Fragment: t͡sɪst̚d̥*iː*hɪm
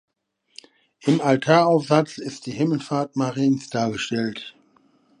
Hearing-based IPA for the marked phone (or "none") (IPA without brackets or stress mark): iː